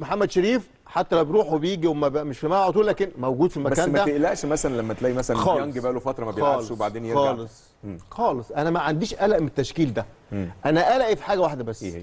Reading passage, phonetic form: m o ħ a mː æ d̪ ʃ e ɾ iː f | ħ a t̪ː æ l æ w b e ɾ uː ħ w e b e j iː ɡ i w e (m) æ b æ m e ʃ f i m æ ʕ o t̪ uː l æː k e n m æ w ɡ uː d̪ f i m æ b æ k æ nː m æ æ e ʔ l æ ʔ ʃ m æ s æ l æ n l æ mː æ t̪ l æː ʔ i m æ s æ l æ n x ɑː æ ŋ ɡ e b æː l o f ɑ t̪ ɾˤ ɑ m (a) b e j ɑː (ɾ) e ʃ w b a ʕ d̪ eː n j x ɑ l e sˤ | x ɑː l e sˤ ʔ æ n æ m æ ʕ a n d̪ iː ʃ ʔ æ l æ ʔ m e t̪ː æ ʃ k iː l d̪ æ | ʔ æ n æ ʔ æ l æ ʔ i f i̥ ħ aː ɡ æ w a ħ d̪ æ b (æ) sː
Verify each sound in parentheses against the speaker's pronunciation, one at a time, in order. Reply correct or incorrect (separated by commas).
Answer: correct, incorrect, incorrect, correct